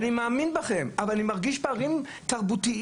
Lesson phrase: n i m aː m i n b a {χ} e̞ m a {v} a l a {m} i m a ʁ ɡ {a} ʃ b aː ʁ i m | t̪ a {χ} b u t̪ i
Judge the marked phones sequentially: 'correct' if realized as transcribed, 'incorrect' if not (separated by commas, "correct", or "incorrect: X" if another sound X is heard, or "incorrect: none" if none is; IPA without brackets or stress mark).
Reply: correct, correct, incorrect: n, incorrect: i, incorrect: ʁ